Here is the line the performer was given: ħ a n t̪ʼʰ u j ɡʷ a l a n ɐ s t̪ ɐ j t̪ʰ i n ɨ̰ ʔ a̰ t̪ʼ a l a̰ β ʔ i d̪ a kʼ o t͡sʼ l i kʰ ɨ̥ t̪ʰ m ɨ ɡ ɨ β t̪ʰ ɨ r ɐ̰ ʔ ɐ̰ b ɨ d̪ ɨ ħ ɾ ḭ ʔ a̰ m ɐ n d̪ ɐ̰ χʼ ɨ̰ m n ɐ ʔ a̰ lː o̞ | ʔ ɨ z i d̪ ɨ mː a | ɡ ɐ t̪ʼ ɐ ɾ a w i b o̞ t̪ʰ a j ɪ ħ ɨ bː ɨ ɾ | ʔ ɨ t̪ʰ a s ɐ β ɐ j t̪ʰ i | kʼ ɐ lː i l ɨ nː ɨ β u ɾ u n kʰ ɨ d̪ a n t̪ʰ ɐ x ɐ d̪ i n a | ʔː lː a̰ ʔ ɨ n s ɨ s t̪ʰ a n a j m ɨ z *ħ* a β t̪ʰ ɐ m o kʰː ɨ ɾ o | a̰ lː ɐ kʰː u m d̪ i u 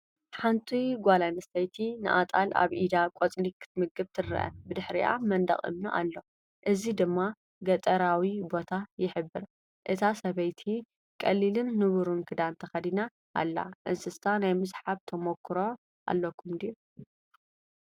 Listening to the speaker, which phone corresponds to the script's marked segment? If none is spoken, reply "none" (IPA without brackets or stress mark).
ħ